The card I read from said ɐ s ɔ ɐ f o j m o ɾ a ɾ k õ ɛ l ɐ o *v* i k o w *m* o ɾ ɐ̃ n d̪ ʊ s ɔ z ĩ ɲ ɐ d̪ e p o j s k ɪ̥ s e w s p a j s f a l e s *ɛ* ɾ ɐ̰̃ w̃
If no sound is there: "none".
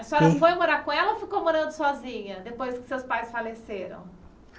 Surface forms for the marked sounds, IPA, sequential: f, m, e

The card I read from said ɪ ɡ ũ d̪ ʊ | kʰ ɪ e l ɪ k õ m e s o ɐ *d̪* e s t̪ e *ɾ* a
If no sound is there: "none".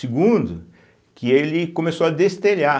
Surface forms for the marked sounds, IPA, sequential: d̪, ʎ

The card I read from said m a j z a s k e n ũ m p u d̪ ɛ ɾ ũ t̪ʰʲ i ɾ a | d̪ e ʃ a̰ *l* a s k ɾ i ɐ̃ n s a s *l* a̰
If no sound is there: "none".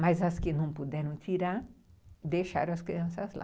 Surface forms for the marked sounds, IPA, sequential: ɾ, l

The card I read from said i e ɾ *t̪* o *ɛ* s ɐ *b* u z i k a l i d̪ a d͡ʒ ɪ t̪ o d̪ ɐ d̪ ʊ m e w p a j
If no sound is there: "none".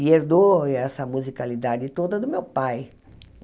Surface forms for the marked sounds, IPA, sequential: d̪, ɛ, m

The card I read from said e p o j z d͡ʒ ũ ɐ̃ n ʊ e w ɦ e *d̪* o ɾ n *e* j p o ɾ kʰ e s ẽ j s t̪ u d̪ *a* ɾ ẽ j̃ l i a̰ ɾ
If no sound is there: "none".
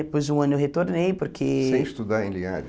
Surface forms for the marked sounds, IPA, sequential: t̪, e, a

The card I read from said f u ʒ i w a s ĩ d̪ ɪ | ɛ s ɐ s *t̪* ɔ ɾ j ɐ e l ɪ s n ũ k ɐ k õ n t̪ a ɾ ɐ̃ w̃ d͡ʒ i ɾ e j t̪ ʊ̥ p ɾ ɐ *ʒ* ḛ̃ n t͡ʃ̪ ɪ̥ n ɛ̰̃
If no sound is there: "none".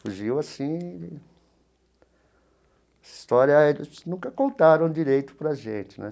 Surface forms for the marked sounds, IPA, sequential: t̪, ʒ

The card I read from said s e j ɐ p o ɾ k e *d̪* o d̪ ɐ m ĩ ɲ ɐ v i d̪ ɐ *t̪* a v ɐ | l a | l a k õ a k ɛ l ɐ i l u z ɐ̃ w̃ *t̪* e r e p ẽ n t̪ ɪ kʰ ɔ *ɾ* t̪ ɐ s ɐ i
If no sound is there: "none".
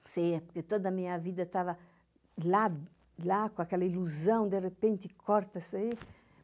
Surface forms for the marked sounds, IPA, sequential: t̪, t̪, d̪, ɾ

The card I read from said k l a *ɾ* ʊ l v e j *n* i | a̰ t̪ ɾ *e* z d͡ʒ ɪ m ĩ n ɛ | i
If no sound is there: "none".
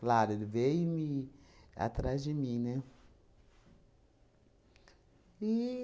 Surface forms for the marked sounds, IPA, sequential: ɾ, m, a

